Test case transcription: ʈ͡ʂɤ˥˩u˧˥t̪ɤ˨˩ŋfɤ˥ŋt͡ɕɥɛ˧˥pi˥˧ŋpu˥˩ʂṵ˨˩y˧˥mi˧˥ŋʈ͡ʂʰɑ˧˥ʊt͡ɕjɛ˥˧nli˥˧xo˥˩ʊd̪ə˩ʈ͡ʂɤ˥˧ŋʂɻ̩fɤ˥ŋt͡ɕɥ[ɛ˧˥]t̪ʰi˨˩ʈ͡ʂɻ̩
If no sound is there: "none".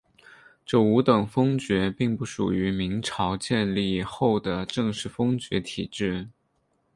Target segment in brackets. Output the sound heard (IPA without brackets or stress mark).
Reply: ɛ˧˥